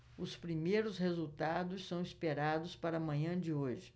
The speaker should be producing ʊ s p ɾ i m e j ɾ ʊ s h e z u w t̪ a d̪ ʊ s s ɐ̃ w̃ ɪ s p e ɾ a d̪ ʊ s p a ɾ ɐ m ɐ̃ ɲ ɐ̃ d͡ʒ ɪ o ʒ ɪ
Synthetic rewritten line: ʊ s p ɾ i m e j ɾ ʊ s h e z u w t̪ a d̪ ʊ s s ɐ̃ w̃ i s p e ɾ a d̪ ʊ s p a ɾ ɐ m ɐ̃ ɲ ɐ̃ d͡ʒ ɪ o ʒ ɪ